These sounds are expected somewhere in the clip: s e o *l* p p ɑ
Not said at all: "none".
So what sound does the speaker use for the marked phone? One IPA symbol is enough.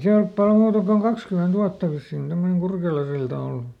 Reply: l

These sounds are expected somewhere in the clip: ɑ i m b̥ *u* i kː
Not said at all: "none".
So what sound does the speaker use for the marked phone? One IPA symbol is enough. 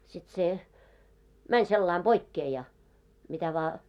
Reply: o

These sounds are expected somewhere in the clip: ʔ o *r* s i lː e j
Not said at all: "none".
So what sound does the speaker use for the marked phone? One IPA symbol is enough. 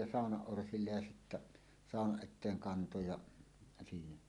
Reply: r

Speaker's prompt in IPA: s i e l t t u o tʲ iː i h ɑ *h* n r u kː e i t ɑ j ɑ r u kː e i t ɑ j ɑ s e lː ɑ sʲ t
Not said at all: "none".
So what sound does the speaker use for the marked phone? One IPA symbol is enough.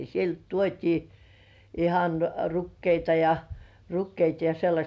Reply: none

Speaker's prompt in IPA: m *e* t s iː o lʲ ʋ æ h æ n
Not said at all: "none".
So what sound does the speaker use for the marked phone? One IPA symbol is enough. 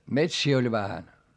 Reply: e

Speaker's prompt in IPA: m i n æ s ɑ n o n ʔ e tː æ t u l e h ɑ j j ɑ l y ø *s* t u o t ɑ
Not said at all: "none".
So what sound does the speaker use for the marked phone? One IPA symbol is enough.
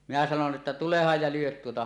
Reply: t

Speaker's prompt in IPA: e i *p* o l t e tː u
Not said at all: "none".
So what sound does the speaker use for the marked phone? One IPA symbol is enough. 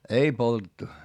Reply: p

